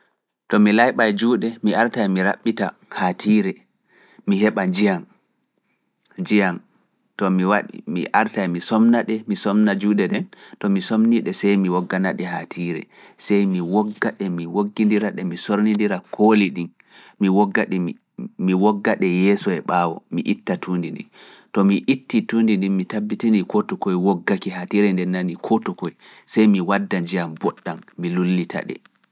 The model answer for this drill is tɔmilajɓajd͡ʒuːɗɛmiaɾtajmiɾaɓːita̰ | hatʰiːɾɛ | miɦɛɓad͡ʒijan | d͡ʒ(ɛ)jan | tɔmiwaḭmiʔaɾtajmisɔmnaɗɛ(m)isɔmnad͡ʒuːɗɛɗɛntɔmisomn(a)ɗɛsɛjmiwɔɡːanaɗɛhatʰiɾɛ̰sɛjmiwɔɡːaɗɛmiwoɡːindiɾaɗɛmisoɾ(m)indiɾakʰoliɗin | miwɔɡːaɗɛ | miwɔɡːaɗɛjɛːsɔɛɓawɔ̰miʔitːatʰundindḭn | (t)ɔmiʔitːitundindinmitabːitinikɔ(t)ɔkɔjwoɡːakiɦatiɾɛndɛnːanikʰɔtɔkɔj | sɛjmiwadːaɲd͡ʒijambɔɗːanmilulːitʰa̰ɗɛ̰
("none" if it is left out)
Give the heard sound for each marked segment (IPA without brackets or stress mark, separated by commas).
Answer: i, m, i, n, t, t